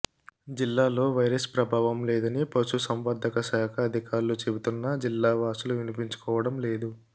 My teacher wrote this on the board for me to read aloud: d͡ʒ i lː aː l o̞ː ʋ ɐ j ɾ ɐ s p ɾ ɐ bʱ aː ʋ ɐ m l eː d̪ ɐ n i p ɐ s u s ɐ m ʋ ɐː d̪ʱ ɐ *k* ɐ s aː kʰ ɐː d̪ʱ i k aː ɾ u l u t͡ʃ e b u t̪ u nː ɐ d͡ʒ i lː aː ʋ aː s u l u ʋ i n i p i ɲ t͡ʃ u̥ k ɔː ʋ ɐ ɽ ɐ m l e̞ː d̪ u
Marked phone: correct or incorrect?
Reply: correct